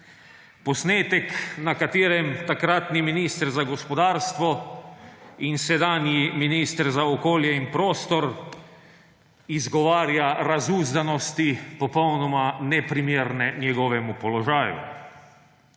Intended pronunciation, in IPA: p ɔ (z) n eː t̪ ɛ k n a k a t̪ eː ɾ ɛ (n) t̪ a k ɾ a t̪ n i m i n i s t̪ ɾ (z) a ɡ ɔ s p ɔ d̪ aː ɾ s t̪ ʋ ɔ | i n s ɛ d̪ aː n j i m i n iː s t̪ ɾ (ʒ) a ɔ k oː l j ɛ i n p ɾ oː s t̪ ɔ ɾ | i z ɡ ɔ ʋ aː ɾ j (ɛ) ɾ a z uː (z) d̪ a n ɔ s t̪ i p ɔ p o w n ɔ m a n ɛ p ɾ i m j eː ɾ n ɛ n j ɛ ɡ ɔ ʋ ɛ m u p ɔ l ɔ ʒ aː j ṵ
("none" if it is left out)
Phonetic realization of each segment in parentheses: s, m, z, z, a, z

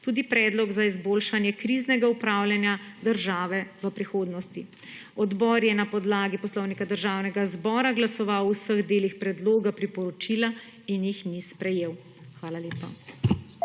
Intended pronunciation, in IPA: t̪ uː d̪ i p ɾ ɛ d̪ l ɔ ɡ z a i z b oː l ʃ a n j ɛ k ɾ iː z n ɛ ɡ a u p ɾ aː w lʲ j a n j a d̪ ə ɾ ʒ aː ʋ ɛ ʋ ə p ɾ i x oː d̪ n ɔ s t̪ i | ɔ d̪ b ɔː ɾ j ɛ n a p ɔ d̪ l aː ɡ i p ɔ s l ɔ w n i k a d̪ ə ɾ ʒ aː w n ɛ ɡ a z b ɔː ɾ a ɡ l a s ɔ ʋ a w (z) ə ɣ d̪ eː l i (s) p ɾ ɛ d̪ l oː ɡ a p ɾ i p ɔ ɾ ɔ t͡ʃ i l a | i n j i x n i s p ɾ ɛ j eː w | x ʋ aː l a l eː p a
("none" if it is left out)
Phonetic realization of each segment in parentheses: s, x

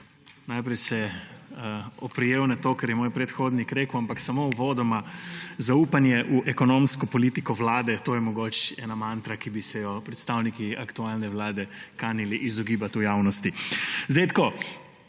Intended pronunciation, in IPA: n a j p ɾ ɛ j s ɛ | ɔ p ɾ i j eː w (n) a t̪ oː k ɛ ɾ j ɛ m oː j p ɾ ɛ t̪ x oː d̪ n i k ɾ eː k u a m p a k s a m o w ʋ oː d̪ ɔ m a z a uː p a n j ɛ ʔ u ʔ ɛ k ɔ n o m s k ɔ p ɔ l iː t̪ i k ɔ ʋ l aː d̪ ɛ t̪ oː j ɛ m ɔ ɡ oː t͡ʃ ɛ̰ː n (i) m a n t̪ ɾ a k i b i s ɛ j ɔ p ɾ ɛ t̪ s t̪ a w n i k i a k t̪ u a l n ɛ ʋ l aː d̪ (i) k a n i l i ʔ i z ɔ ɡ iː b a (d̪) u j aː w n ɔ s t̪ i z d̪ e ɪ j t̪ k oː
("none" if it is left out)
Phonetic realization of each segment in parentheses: n, a, ɛ, t̪

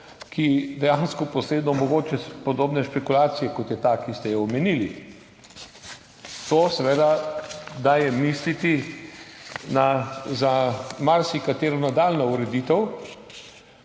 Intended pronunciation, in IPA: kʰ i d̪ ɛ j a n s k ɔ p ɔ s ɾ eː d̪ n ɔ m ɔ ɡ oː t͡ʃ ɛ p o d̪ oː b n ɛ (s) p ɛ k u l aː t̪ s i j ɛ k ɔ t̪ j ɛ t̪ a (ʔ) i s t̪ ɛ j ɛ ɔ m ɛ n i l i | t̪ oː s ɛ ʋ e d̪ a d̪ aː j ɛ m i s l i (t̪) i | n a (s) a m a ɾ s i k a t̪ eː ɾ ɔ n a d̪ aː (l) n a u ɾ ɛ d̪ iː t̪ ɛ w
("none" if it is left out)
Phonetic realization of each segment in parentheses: ʃ, k, t̪, z, l

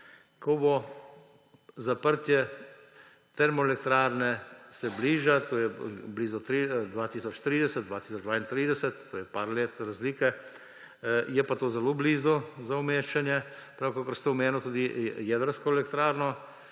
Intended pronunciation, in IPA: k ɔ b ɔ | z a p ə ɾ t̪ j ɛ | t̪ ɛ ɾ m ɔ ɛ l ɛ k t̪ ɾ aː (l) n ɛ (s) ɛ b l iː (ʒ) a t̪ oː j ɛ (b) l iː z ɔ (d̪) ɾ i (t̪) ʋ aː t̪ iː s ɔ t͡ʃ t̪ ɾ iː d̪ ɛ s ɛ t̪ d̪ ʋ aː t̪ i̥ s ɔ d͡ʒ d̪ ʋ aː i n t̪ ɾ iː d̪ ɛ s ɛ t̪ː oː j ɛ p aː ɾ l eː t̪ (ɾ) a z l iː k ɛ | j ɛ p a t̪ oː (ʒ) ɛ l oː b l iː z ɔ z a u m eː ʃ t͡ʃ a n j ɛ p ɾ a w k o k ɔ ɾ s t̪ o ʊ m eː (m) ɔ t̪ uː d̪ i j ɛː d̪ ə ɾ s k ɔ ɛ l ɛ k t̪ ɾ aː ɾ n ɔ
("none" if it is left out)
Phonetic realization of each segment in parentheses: ɾ, s, ʒ, b, t̪, d̪, ɾ, z, n

